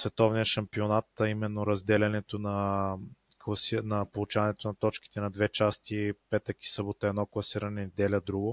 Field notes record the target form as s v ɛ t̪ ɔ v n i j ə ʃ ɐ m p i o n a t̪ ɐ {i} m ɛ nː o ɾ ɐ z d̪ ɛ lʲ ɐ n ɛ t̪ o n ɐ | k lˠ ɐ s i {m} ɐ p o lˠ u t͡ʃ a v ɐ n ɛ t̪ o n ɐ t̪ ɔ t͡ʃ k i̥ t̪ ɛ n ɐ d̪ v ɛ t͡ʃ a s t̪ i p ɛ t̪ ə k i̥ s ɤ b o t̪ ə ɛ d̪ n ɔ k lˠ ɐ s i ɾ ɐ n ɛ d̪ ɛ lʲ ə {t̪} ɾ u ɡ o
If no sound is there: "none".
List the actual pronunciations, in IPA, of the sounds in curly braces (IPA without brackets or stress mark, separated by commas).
i, n, d̪